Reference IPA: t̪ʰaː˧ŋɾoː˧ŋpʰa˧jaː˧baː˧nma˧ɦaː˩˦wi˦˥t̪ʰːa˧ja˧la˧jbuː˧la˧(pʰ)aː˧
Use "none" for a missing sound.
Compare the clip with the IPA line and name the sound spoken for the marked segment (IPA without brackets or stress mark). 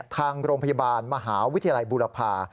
pʰ